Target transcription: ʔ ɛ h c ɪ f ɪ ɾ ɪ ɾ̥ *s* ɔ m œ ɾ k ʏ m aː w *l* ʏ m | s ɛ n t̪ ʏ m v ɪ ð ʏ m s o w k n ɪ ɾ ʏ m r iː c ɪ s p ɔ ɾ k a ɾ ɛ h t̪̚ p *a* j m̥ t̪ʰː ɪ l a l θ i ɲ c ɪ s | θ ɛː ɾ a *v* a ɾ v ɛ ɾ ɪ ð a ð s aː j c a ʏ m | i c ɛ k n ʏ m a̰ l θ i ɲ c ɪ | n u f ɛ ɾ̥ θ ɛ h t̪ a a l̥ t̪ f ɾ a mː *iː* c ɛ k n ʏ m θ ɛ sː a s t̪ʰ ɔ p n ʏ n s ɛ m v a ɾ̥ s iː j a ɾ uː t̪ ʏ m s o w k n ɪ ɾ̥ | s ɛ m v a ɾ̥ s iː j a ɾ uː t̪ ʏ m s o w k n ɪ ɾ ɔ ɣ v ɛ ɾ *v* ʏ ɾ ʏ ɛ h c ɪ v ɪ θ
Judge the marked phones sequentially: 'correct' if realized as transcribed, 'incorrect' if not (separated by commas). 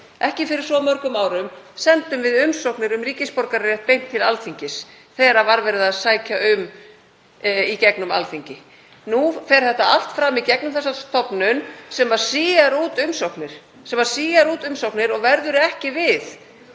correct, incorrect, incorrect, correct, incorrect, incorrect